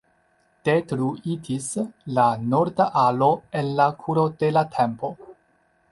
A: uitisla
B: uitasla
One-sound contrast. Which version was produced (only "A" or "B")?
A